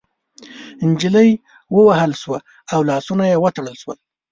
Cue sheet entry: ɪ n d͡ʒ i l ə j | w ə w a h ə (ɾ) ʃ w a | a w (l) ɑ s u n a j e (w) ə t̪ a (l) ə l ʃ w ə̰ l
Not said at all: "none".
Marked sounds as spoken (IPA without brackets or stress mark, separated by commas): l, l, w, ɽ